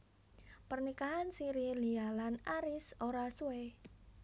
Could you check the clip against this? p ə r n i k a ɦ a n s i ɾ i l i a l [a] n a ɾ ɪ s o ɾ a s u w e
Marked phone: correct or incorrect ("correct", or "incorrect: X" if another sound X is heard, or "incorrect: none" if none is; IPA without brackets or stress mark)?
correct